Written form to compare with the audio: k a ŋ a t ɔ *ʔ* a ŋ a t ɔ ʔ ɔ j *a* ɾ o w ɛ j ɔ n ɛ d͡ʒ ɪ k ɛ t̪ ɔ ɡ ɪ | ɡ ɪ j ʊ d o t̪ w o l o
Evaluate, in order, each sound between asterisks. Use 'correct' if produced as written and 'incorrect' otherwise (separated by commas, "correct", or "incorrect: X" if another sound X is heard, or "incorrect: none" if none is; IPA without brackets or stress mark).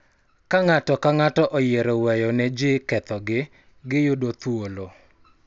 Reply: incorrect: k, incorrect: e